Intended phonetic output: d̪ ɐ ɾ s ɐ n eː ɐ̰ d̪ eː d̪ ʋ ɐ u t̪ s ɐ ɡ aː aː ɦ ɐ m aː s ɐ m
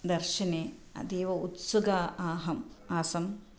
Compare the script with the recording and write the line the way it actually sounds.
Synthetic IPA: d̪ ɐ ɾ ʃ ɐ n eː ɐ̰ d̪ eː ʋ ɐ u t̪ s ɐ ɡ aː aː ɦ ɐ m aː s ɐ m